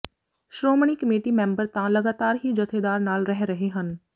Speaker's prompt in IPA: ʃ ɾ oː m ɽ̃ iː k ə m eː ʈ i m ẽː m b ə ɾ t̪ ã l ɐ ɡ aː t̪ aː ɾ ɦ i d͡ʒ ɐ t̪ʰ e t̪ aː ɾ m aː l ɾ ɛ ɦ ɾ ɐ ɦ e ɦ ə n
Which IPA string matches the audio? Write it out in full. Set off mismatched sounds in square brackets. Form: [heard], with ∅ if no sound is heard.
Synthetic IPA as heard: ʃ ɾ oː m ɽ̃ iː k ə m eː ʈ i m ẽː m b ə ɾ t̪ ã l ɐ ɡ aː t̪ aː ɾ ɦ i d͡ʒ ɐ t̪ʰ e [d̪] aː ɾ [n] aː l ɾ ɛ ɦ ɾ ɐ ɦ e ɦ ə n